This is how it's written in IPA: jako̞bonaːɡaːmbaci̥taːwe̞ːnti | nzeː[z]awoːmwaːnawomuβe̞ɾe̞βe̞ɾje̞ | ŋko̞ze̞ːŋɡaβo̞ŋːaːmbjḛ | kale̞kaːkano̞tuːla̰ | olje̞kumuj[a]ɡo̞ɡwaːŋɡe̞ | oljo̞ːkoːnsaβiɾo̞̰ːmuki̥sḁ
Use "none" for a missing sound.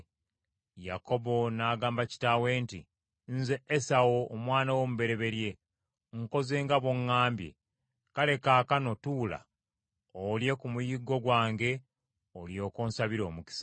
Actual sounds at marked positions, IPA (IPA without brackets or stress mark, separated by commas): s, i